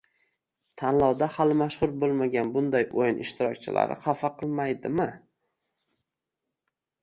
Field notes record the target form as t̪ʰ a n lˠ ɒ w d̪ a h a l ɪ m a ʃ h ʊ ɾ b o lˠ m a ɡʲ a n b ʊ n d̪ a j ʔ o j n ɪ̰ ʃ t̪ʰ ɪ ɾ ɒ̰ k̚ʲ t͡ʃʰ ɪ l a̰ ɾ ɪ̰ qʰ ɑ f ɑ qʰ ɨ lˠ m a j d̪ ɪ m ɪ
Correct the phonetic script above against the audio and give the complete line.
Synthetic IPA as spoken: t̪ʰ a n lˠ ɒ w d̪ a h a l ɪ m a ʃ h ʊ ɾ b o lˠ m a ɡʲ a n b ʊ n d̪ a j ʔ o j n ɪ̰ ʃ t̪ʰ ɪ ɾ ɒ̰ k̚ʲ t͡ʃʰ ɪ l a̰ ɾ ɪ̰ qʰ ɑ f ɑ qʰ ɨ lˠ m a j d̪ ɪ m ɪ